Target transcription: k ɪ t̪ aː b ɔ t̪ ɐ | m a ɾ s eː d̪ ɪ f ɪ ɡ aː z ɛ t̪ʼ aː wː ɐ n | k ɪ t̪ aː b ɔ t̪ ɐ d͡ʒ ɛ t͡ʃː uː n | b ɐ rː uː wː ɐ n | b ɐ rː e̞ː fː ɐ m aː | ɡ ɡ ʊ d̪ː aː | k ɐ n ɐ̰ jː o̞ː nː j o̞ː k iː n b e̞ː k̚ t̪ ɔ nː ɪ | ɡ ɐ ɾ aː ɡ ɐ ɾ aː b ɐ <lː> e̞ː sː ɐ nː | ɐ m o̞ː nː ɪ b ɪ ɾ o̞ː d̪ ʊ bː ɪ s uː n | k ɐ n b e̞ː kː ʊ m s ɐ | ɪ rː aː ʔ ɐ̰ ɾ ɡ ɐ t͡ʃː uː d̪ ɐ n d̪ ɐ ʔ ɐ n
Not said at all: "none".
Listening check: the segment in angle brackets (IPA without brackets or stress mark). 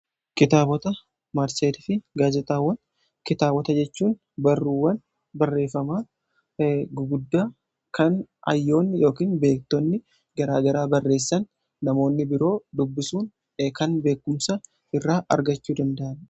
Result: rː